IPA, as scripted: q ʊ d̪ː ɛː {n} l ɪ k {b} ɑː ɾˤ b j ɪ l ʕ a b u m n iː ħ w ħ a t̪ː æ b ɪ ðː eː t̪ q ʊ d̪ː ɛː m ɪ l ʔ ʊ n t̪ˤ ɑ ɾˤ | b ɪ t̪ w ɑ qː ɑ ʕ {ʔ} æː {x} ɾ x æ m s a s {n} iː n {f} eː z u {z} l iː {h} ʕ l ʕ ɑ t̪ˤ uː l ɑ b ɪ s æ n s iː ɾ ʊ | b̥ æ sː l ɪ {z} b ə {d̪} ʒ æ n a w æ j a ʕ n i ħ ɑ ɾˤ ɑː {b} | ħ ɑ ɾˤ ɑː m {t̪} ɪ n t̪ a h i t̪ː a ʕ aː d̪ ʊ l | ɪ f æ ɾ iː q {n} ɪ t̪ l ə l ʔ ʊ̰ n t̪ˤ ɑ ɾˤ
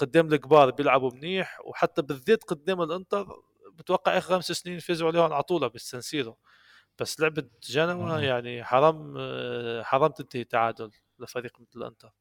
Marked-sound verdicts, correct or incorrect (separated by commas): incorrect, correct, correct, correct, correct, correct, incorrect, correct, incorrect, correct, incorrect, correct, incorrect